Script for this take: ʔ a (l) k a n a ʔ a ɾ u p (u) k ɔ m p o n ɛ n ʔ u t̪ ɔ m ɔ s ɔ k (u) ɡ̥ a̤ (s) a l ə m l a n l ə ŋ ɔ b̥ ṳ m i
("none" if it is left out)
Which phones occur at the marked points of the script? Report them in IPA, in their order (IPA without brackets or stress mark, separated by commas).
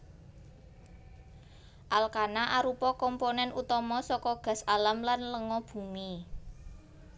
l, ɔ, ɔ, s